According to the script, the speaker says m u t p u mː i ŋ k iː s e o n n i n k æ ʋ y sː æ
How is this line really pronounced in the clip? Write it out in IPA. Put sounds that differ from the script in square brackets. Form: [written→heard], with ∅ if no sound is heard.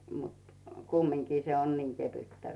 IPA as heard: m u t [p→k] u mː i ŋ k iː s e o n n i [n→ŋ] k [æ→e] ʋ y [sː→tː] æ

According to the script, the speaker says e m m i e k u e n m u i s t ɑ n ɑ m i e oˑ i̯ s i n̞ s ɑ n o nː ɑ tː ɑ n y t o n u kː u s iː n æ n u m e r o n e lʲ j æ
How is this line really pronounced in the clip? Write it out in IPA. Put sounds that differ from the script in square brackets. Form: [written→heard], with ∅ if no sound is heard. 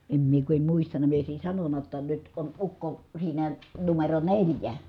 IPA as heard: e m m i e k u e [n→m] m u i s t ɑ n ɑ m i e oˑ i̯ s i n̞ s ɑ n o nː ɑ tː ɑ n y t o n u kː [u→o] s iː n æ n u m e r o n e lʲ j æ

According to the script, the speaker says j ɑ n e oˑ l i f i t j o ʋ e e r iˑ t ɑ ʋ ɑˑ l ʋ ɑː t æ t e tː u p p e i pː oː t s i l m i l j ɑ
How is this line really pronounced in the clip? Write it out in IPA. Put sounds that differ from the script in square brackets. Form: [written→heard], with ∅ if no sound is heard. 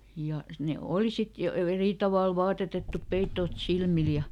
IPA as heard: j ɑ n e oˑ l i [f→s] i t j o ʋ e e r iˑ t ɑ ʋ ɑˑ l ʋ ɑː t [æ→e] t e tː u p p e i [pː→tː] oː t s i l m i l j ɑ

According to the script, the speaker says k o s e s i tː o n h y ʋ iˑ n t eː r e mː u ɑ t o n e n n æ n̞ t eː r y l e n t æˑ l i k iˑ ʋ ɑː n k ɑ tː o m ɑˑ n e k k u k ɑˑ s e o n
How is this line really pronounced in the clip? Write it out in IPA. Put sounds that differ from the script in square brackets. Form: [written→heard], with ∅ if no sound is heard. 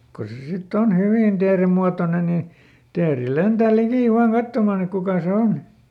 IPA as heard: k o s e s i tː o n h y ʋ iˑ n t eː r e mː u ɑ t o n e n n [æ→i] n̞ t eː r [y→i] l e n t æˑ l i k iˑ ʋ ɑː n k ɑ tː o m ɑˑ n e k k u k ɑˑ s e o n

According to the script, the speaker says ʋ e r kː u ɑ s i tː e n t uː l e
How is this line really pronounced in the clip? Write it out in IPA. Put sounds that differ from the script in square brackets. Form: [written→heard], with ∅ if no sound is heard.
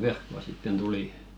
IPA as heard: ʋ e r kː [u→o] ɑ s i tː e n t [uː→u] l [e→i]

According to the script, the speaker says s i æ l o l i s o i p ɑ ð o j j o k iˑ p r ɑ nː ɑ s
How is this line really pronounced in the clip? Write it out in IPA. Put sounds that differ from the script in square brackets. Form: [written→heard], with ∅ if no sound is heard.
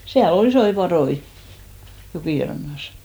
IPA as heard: s i æ l o l i s o i p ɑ ð o [j→i] j o k iˑ [p→∅] r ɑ nː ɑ s

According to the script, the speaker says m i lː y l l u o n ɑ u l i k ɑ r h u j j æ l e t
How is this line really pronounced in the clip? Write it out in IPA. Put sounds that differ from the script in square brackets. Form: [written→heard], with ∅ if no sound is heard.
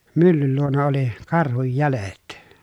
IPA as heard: m [i→y] lː y l l u o n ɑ [u→o] l i k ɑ r h u j j æ l e t

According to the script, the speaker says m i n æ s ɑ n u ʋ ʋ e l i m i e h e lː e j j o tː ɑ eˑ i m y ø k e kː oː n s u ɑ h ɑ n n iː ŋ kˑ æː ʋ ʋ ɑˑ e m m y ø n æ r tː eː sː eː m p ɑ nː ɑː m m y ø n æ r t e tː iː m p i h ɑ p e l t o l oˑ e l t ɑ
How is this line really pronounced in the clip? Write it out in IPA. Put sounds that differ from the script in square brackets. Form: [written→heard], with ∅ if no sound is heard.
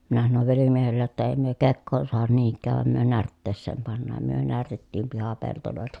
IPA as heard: m i n æ s ɑ n [u→o] ʋ ʋ e l i m i e h e lː e j j o tː ɑ eˑ i m y ø k e kː oː n s u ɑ h ɑ n n iː ŋ kˑ æː ʋ ʋ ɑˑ e m m y ø n æ r tː eː sː eː m p ɑ nː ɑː m m y ø n æ r t e tː iː m p i h ɑ p e l t o l oˑ e l t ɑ

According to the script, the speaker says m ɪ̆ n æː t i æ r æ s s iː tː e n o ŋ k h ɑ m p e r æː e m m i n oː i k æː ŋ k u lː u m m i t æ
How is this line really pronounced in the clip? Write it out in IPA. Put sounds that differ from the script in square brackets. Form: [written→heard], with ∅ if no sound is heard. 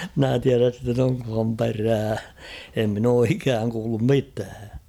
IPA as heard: m ɪ̆ n [æː→æ] t i æ r æ s s [iː→i] tː e n o ŋ k h ɑ m p e r æː e m m i n oː i k æː ŋ k [u→uː] lː u m m i t [æ→æː]

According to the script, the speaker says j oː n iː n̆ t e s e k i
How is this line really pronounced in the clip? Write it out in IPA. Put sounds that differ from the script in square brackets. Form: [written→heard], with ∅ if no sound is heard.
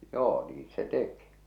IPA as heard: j oː n iː n̆ [t→s] e [s→t] e k i

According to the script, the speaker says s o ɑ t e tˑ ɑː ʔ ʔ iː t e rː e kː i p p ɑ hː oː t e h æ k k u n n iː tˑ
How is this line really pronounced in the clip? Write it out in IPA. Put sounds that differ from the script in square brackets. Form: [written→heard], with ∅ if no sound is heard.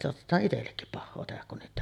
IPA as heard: s o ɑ t e tˑ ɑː ʔ ʔ [iː→i] t e [rː→lː] e kː i p p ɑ hː oː t e h æ k k u n n iː tˑ

